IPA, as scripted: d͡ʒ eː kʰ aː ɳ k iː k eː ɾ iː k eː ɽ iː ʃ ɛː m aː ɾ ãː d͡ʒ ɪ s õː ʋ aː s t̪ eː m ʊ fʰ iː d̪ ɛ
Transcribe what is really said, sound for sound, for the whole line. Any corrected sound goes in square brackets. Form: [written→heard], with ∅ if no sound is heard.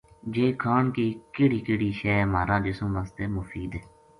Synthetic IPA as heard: d͡ʒ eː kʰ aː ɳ k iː k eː [ɾ→ɽ] iː k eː ɽ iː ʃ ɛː m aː ɾ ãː d͡ʒ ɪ s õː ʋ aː s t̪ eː m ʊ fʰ iː d̪ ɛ